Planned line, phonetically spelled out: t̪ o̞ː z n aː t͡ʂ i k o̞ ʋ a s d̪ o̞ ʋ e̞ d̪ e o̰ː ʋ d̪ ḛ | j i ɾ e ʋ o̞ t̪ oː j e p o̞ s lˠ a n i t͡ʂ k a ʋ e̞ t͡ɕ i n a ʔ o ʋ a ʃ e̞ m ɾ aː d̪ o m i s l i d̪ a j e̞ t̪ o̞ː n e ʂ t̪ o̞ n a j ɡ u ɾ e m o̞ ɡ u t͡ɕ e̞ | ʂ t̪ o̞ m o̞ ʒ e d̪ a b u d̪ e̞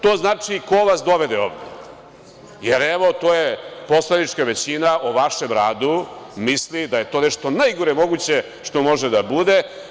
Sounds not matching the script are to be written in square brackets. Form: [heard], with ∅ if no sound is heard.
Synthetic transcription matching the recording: t̪ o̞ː z n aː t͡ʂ i k o̞ ʋ a s d̪ o̞ ʋ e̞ d̪ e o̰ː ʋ d̪ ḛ | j [e] ɾ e ʋ o̞ t̪ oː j e p o̞ s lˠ a n i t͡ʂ k a ʋ e̞ t͡ɕ i n a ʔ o ʋ a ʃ e̞ m ɾ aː d̪ [u] m i s l i d̪ a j e̞ t̪ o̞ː n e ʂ t̪ o̞ n a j ɡ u ɾ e m o̞ ɡ u t͡ɕ e̞ | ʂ t̪ o̞ m o̞ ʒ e d̪ a b u d̪ e̞